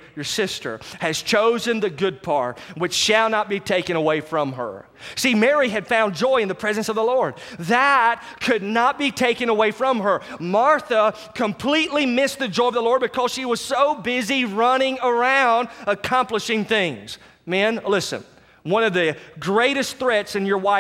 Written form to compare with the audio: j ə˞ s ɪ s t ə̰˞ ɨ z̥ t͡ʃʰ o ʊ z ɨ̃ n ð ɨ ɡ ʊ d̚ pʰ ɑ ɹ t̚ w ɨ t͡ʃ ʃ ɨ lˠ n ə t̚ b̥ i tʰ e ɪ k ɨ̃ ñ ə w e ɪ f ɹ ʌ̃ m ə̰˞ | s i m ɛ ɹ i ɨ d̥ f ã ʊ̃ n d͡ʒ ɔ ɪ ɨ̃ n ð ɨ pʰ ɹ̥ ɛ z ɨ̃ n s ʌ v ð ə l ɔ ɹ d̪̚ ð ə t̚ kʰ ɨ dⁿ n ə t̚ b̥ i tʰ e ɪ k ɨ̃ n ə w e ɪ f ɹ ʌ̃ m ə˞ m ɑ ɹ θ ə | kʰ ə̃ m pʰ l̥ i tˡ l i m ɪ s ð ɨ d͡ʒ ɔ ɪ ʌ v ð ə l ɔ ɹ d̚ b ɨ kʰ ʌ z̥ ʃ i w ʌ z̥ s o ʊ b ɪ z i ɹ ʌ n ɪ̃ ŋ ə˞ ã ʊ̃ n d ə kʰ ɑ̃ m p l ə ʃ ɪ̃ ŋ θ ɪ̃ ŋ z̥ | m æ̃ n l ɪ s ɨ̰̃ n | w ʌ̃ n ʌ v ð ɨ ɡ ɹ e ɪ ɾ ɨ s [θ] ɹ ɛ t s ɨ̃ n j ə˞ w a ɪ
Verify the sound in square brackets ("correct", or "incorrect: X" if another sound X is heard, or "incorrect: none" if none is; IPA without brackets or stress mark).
correct